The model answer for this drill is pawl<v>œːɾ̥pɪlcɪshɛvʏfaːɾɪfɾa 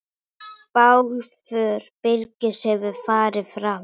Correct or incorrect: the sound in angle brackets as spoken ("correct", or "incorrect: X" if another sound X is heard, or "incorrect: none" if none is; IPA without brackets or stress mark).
incorrect: f